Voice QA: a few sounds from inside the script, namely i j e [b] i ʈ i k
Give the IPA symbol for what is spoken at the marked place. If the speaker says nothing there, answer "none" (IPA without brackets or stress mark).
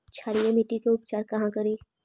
m